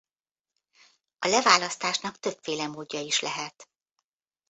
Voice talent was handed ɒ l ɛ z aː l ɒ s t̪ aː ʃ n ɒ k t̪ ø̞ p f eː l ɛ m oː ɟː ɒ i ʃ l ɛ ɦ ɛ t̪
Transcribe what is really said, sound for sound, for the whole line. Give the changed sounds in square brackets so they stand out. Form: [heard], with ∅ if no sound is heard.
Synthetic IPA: ɒ l ɛ [v] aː l ɒ s t̪ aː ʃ n ɒ k t̪ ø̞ p f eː l ɛ m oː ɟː ɒ i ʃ l ɛ ɦ ɛ t̪